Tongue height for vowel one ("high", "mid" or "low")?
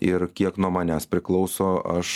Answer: high